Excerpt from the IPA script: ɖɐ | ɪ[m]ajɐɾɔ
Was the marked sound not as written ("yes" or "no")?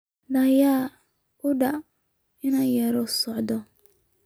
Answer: yes